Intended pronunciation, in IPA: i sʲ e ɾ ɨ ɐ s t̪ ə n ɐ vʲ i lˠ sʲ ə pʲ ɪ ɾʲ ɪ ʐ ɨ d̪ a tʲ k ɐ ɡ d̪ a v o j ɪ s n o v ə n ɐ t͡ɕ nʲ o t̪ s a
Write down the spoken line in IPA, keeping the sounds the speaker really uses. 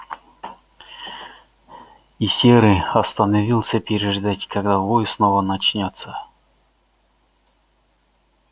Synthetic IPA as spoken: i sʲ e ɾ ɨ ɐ s t̪ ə n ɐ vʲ i lˠ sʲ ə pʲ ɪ ɾʲ ɪ ʐ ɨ d̪ a tʲ k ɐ ɡ d̪ a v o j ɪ s n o v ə n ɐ t͡ɕ nʲ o t̪ s ə

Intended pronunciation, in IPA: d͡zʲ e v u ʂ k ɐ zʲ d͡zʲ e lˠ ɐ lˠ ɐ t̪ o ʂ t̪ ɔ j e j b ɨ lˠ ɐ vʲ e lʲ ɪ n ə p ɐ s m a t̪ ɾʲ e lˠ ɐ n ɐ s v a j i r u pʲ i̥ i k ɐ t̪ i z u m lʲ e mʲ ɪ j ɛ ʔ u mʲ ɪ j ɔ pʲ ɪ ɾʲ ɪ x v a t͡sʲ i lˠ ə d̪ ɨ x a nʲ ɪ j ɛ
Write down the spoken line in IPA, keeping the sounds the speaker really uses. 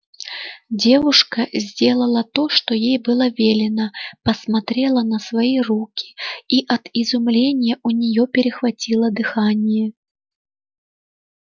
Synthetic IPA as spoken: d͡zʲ e v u ʂ k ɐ zʲ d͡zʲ e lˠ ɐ lˠ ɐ t̪ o ʂ t̪ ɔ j e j b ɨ lˠ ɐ vʲ e lʲ ɪ n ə p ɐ s m a t̪ ɾʲ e lˠ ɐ n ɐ s v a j i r u kʲ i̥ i ʔ ɐ t̪ i z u m lʲ e nʲ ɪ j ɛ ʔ u nʲ ɪ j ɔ pʲ ɪ ɾʲ ɪ x v a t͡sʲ i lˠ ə d̪ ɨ x a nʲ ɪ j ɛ

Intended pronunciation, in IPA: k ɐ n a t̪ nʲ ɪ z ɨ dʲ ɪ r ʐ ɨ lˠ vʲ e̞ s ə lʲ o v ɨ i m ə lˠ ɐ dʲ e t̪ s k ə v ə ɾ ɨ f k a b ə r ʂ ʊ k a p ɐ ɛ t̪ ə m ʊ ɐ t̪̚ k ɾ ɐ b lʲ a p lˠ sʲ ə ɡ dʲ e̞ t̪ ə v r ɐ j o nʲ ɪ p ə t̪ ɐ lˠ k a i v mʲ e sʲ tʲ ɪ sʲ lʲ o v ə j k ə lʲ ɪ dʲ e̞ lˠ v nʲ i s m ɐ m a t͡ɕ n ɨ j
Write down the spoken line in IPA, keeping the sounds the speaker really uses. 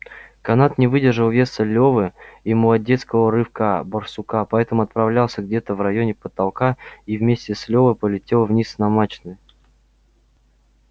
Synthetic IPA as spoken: k ɐ n a t̪ nʲ ɪ v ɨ dʲ ɪ r ʐ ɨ lˠ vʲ e̞ s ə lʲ o v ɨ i m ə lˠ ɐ dʲ e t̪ s k ə v ə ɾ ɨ f k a b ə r s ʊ k a p ɐ ɛ t̪ ə m ʊ ɐ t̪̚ p ɾ ɐ v lʲ a lˠ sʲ ə ɡ dʲ e̞ t̪ ə v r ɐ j o nʲ ɪ p ə t̪ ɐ lˠ k a i v mʲ e sʲ tʲ ɪ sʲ lʲ o v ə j p ə lʲ ɪ tʲ e̞ lˠ v nʲ i s n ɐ m a t͡ɕ n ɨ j

